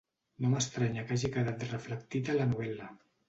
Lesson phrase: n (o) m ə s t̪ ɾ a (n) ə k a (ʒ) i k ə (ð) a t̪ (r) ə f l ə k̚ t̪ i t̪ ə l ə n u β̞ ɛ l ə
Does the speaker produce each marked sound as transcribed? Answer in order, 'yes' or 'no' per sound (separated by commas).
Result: yes, no, yes, yes, yes